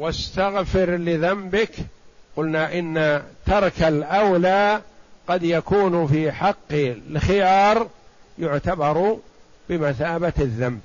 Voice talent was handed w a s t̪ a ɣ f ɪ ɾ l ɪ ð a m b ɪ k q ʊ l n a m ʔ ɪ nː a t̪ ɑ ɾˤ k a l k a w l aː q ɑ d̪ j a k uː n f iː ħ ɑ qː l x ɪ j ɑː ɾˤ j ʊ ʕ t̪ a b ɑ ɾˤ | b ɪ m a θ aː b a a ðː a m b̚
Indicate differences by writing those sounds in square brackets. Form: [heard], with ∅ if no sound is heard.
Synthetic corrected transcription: w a s t̪ a ɣ f ɪ ɾ l ɪ ð a m b ɪ k q ʊ l n a [∅] ʔ ɪ nː a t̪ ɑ ɾˤ k a l [ʔ] a w l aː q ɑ d̪ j a k uː n f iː ħ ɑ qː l x ɪ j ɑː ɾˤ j ʊ ʕ t̪ a b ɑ ɾˤ | b ɪ m a θ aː b a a ðː a m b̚